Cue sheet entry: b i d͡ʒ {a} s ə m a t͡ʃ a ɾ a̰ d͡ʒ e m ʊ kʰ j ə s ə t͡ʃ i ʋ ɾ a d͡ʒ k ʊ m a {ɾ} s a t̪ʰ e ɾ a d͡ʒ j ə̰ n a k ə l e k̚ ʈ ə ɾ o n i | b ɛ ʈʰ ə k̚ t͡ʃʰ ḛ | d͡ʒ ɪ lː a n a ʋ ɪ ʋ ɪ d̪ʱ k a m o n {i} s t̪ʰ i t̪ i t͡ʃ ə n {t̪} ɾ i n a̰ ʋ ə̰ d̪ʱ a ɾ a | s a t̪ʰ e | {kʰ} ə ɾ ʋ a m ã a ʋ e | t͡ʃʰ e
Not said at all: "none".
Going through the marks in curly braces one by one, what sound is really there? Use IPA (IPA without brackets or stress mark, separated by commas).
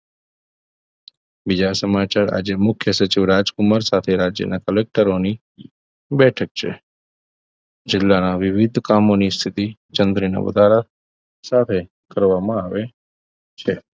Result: a, ɾ, i, d̪, k